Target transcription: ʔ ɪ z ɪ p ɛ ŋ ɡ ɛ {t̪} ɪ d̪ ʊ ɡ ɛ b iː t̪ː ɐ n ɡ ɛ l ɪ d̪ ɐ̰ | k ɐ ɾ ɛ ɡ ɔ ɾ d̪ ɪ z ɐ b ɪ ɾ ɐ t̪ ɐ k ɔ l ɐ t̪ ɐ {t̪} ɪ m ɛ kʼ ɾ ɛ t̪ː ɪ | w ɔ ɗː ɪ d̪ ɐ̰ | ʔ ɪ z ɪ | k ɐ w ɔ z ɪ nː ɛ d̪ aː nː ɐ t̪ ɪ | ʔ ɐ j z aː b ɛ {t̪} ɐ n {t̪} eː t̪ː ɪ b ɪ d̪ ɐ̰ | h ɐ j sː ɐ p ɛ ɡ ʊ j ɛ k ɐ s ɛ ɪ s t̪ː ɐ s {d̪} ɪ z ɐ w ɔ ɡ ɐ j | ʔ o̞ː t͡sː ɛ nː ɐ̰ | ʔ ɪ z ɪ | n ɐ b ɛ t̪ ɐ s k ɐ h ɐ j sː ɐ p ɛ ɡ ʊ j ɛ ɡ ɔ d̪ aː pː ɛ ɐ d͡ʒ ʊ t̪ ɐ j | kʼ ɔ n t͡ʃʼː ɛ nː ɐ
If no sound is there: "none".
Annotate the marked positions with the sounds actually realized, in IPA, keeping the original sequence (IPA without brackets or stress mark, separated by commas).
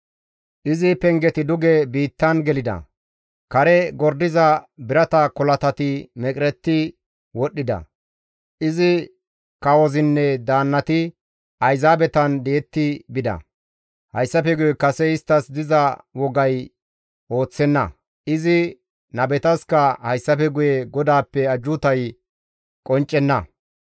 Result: t̪, t̪, t̪, d̪, d̪